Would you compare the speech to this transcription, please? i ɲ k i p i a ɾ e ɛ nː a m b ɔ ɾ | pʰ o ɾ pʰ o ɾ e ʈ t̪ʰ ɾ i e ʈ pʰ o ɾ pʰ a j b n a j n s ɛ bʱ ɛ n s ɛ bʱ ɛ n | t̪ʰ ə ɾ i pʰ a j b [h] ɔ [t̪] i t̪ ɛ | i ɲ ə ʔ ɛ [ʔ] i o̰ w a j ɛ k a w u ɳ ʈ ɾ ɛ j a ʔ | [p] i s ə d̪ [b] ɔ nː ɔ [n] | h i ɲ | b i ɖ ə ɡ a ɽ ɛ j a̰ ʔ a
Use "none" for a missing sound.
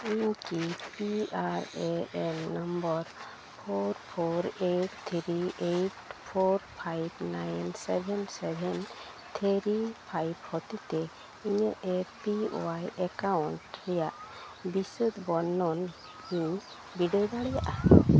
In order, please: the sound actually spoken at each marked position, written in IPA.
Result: h, t̪, p, b, b, n

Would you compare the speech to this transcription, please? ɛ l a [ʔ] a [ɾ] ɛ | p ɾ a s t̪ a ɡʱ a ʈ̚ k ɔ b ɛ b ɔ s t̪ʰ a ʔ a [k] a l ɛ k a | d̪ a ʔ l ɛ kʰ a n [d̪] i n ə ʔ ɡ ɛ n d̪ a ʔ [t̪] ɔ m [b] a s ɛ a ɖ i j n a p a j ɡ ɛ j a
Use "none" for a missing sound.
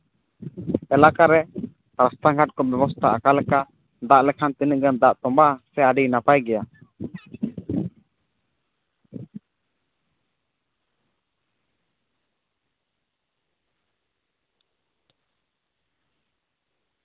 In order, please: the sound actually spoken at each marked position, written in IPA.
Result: k, ɾ, k, t̪, t̪, b

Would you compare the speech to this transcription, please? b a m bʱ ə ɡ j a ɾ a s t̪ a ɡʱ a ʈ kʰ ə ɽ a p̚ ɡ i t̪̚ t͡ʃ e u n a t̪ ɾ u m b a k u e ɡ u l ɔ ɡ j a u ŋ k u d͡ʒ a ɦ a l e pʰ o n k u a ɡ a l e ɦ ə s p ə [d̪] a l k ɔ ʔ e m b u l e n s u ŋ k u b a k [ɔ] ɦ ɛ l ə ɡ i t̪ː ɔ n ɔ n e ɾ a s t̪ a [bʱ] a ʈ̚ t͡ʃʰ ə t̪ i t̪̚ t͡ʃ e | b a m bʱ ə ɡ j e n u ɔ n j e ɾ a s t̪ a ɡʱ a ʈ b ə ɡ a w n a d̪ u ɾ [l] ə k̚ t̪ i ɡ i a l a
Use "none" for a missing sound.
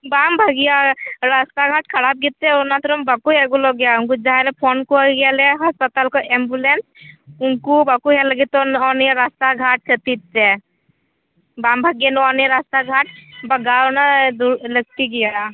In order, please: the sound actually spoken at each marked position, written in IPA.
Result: t̪, u, ɡʱ, l

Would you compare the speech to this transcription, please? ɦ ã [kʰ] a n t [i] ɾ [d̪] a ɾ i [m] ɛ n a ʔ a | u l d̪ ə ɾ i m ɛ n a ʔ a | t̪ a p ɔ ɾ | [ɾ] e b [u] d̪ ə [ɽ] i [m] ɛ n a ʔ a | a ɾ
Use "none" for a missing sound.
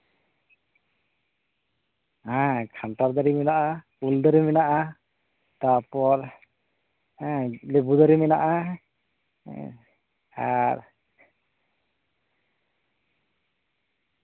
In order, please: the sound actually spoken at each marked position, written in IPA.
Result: kʰ, a, d̪, m, l, u, ɾ, m

